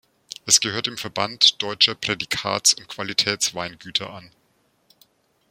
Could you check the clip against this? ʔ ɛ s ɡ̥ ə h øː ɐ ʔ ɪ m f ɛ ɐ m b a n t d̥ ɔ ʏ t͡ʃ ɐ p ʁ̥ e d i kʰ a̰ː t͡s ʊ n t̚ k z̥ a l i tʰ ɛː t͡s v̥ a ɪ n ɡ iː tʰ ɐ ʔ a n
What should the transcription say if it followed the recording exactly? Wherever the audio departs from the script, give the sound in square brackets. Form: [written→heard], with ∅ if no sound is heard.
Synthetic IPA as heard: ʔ ɛ s ɡ̥ ə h øː ɐ [ʔ→t] ɪ m f ɛ ɐ [m→∅] b a n t d̥ ɔ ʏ t͡ʃ ɐ p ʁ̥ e d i kʰ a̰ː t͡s ʊ n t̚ k [z̥→v̥] a l i tʰ ɛː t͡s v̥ a ɪ n ɡ [iː→yː] tʰ ɐ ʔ a n

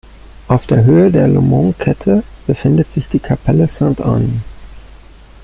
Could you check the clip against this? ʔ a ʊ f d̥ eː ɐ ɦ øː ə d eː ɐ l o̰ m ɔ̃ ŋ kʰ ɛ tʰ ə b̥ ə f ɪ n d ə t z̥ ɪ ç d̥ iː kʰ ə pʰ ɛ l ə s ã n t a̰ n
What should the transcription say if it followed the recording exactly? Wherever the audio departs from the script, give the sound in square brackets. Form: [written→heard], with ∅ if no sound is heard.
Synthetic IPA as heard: ʔ a ʊ f d̥ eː ɐ ɦ øː ə d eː ɐ l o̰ m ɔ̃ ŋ kʰ ɛ tʰ ə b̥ ə f ɪ n d ə t z̥ ɪ ç d̥ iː kʰ [ə→a] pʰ ɛ l ə s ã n t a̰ n

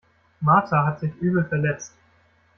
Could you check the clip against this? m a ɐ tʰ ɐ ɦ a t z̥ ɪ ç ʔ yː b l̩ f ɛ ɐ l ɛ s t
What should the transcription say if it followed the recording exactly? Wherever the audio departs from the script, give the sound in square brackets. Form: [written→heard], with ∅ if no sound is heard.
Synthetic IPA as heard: m a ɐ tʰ [ɐ→a] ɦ a t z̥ ɪ ç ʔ yː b l̩ f ɛ ɐ l ɛ [s→t͡s] t

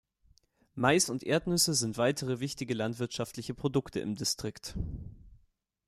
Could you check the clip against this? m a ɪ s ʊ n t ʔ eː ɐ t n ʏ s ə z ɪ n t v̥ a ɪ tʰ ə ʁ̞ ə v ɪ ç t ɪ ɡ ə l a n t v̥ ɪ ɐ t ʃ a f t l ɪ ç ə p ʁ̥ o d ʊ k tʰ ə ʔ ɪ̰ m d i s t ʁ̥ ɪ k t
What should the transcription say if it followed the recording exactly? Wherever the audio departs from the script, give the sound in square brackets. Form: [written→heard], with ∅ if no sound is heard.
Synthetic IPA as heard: m a ɪ s ʊ n t ʔ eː ɐ t n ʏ s ə z ɪ n t v̥ a ɪ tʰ ə ʁ̞ ə v ɪ ç t ɪ ɡ ə l a n t v̥ ɪ ɐ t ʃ a f t l ɪ ç ə p ʁ̥ o d ʊ k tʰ ə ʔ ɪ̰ m d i s t ʁ̥ ɪ k t

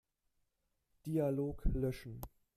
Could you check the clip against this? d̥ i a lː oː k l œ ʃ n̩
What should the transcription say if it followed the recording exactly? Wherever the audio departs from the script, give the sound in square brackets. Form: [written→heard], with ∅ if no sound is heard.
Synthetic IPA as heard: d̥ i a [lː→l] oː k l œ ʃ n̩

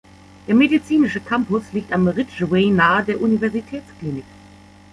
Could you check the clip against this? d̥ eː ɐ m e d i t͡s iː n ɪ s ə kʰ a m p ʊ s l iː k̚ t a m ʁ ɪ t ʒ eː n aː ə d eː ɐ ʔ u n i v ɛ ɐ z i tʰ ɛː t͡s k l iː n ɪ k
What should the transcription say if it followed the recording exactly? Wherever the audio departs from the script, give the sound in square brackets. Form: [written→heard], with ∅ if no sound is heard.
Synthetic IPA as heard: d̥ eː ɐ m e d i t͡s iː n ɪ [s→ʃ] ə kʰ a m p ʊ s l iː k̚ t a m ʁ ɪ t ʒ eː n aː ə d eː ɐ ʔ u n i v ɛ ɐ z i tʰ ɛː t͡s k l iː n ɪ k

